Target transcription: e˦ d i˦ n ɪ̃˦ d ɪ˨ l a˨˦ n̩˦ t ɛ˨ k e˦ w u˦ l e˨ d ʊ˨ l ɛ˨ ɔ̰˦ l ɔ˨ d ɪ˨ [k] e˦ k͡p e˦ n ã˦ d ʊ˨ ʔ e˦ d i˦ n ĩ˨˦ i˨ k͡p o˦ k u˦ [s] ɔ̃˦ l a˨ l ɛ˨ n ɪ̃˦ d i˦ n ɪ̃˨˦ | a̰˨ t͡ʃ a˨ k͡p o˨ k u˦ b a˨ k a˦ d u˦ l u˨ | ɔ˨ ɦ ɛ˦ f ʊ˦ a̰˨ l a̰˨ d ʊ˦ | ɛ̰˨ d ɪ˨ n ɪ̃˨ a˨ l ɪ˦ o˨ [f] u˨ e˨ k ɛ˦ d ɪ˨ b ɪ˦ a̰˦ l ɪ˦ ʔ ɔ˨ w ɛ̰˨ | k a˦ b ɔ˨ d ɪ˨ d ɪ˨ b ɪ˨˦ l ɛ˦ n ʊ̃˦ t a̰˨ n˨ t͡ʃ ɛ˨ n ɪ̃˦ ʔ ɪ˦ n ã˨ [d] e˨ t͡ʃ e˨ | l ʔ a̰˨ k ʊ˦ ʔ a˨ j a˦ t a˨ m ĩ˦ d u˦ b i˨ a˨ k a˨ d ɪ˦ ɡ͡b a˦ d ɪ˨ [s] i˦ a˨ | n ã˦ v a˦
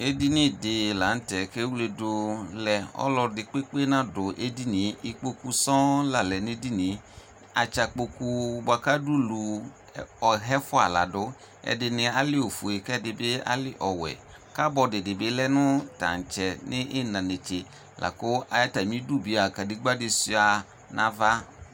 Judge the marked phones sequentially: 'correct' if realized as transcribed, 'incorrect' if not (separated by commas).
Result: incorrect, correct, correct, incorrect, correct